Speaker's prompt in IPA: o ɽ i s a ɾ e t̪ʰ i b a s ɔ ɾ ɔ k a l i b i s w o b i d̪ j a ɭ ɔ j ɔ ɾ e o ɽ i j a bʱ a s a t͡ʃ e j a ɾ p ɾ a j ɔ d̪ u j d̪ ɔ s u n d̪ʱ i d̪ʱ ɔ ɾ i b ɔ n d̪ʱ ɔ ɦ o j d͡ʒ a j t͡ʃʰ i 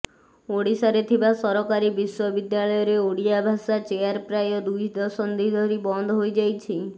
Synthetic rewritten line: o ɽ i s a ɾ e t̪ʰ i b a s ɔ ɾ ɔ k a ɾ i b i s w ɔ b i d̪ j a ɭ ɔ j ɔ ɾ e o ɽ i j a bʱ a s a t͡ʃ e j a ɾ p ɾ a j ɔ d̪ u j d̪ ɔ s ɔ n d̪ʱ i d̪ʱ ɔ ɾ i b ɔ n d̪ʱ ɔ ɦ o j d͡ʒ a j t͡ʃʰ i

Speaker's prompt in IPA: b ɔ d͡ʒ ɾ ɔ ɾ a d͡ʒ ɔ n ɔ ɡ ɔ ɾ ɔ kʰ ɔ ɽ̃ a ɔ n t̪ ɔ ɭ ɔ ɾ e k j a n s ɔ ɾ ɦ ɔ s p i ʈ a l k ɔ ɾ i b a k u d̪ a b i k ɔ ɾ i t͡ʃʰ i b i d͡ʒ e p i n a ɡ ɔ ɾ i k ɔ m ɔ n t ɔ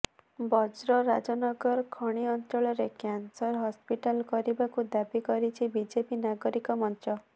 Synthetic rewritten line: b ɔ d͡ʒ ɾ ɔ ɾ a d͡ʒ ɔ n ɔ ɡ ɔ ɾ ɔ kʰ ɔ ɽ̃ i ɔ n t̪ ɔ ɭ ɔ ɾ e k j a n s ɔ ɾ ɦ ɔ s p i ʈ a l k ɔ ɾ i b a k u d̪ a b i k ɔ ɾ i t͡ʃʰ i b i d͡ʒ e p i n a ɡ ɔ ɾ i k ɔ m ɔ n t ɔ

